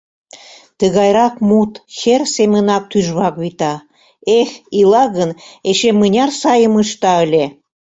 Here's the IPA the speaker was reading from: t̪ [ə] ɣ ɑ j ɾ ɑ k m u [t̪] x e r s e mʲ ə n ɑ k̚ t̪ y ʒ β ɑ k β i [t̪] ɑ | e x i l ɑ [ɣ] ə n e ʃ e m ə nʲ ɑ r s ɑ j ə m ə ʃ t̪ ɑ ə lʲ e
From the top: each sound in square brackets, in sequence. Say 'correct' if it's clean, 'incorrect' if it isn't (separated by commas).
correct, correct, correct, correct